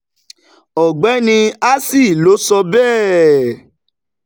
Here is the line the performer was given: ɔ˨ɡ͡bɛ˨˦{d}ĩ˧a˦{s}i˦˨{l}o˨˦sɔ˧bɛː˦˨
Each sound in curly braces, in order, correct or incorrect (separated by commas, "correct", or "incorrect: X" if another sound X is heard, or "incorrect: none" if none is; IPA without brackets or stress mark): incorrect: n, correct, correct